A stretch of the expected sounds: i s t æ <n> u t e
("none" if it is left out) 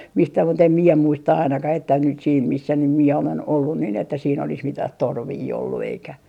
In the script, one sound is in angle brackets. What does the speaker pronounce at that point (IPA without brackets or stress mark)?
m